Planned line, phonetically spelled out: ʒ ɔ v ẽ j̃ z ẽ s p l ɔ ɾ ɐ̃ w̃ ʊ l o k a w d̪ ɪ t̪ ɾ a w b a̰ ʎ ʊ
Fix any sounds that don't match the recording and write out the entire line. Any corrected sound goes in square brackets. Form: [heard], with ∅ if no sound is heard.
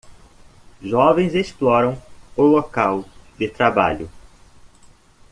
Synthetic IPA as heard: ʒ ɔ v ẽ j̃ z [e] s p l ɔ ɾ ɐ̃ w̃ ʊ l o k a w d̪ ɪ t̪ ɾ a [∅] b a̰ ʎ ʊ